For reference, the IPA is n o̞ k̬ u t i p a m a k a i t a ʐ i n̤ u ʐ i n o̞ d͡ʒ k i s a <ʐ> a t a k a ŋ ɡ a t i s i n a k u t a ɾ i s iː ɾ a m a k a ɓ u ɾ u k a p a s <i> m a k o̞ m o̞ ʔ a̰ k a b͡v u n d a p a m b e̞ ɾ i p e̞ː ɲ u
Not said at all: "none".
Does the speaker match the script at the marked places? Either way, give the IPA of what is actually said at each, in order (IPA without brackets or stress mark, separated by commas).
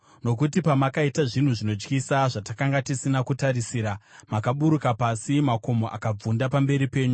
ʐ, i